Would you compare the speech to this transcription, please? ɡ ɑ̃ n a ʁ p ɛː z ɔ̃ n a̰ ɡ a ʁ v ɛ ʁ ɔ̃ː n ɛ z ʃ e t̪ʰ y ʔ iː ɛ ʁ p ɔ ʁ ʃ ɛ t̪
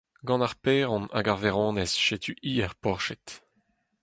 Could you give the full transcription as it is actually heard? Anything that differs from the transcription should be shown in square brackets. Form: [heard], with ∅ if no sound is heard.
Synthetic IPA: ɡ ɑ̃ n a ʁ p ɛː [ʁ] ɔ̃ n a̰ ɡ a ʁ v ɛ ʁ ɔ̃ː n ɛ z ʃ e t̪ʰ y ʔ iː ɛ ʁ p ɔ ʁ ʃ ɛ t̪